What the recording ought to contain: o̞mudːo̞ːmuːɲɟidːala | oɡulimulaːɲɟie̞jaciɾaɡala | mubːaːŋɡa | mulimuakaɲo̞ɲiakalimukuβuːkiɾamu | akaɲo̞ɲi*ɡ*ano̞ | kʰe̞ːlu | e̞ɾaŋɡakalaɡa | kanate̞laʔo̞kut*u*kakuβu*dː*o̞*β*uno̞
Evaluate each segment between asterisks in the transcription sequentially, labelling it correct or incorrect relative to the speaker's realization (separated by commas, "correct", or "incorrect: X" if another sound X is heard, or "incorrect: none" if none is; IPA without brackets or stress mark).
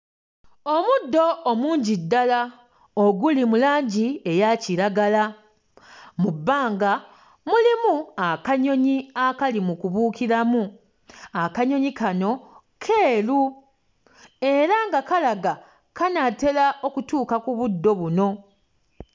incorrect: k, incorrect: uː, correct, correct